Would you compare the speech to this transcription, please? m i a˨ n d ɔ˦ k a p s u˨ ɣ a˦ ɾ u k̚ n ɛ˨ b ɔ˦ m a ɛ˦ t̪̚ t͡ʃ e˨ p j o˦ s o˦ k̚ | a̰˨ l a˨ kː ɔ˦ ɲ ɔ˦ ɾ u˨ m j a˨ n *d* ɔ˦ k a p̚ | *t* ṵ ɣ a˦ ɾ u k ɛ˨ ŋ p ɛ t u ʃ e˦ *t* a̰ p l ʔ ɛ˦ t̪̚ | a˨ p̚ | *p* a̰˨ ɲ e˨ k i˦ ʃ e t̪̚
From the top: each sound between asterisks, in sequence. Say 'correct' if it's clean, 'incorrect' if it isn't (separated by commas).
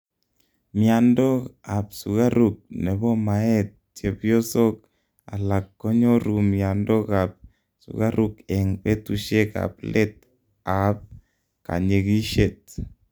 correct, incorrect, incorrect, incorrect